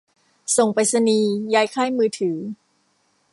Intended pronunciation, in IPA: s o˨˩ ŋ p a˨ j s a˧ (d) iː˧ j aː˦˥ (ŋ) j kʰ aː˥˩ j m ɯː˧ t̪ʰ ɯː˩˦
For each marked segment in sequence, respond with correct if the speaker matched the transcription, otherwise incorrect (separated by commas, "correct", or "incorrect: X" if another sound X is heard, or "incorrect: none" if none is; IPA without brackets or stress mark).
incorrect: n, incorrect: none